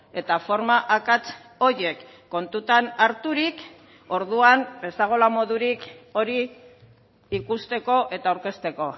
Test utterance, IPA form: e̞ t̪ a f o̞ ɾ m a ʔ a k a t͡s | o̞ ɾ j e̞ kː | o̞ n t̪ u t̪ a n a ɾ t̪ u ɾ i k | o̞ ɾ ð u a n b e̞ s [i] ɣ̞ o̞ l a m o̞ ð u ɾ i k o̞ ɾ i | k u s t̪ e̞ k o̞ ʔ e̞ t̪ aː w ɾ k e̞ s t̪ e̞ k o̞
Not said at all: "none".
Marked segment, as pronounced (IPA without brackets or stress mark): a